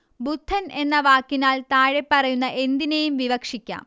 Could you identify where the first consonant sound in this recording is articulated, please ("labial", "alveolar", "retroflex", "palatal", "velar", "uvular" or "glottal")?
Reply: labial